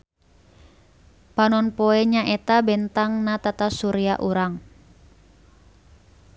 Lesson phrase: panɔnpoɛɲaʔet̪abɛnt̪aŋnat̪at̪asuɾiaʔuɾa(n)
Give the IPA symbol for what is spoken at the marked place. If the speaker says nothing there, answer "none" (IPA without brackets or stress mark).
ŋ